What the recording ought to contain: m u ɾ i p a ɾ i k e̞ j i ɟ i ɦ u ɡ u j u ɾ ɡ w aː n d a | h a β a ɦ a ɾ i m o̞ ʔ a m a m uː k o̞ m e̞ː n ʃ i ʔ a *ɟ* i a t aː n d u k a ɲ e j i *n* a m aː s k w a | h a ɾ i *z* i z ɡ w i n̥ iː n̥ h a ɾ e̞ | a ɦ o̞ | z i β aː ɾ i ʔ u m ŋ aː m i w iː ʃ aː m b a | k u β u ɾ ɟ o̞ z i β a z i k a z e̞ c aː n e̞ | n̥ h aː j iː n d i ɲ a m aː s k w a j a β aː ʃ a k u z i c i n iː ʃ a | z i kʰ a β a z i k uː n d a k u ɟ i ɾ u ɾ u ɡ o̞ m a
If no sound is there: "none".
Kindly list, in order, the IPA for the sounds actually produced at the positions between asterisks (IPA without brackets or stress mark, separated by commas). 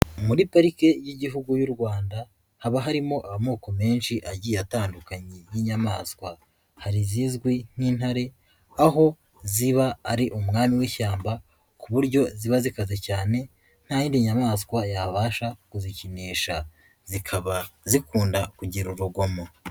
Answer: ɟ, ɲ, z